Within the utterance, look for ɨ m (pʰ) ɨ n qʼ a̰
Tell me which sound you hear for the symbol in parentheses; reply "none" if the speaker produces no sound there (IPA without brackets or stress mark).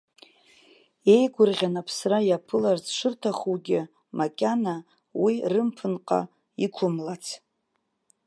pʰ